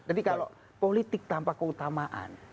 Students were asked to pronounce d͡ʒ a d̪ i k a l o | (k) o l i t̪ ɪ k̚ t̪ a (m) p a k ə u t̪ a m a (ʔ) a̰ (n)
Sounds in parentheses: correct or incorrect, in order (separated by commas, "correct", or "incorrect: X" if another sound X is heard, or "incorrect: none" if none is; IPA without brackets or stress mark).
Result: incorrect: p, correct, correct, correct